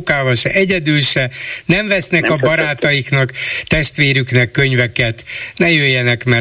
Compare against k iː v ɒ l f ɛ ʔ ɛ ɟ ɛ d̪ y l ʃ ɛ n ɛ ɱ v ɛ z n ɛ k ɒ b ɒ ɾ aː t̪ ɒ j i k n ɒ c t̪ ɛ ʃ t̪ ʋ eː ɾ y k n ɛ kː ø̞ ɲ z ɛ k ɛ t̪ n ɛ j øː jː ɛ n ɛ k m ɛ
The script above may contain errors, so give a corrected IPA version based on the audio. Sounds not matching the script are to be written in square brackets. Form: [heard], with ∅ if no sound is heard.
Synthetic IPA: k [aː] v ɒ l [ʃ] ɛ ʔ ɛ ɟ ɛ d̪ y l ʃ ɛ n ɛ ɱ v ɛ [s] n ɛ k ɒ b ɒ ɾ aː t̪ ɒ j i k n ɒ [k] t̪ ɛ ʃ t̪ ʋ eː ɾ y k n ɛ kː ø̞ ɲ [v] ɛ k ɛ t̪ n ɛ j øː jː ɛ n ɛ k m ɛ